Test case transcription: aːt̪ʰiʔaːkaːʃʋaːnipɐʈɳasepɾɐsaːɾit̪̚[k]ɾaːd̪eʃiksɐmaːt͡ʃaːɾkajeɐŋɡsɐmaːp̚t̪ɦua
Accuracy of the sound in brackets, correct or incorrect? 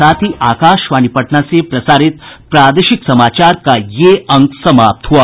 incorrect